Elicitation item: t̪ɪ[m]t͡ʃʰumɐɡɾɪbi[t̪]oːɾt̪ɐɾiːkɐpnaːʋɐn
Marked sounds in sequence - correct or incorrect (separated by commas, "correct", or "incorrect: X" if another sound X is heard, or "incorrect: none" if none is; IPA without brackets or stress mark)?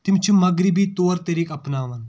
correct, correct